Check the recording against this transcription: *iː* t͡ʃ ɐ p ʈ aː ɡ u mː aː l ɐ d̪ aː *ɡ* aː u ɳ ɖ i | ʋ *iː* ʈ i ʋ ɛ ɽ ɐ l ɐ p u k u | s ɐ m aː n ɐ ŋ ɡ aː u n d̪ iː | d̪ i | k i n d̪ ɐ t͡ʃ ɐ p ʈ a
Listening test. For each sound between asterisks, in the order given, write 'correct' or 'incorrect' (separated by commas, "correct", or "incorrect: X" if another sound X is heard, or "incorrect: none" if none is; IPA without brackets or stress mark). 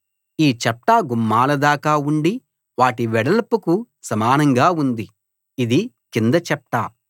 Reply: correct, incorrect: k, incorrect: aː